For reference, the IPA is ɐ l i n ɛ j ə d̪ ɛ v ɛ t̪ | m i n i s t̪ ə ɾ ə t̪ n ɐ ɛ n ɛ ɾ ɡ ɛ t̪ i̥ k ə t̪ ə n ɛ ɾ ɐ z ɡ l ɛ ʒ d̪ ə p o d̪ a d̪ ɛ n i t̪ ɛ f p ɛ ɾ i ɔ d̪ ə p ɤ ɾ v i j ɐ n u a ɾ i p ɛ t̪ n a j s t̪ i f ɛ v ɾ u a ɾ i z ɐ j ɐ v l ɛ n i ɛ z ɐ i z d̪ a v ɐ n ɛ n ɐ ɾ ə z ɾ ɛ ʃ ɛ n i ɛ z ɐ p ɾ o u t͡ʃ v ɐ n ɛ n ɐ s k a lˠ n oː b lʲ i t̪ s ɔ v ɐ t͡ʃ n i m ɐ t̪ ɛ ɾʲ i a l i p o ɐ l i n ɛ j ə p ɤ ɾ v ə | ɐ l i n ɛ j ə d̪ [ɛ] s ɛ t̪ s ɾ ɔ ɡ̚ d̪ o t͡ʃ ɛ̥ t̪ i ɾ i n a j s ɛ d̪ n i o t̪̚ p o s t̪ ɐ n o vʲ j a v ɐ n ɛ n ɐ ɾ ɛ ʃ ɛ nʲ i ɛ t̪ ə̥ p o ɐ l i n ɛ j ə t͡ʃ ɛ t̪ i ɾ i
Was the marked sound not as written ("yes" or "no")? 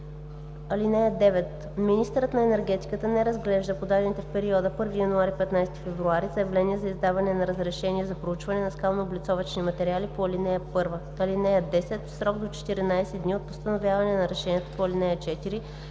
no